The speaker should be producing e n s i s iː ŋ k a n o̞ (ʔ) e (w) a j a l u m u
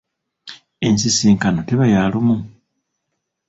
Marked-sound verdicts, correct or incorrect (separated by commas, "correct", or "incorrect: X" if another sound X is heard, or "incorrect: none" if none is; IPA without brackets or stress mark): incorrect: t, incorrect: β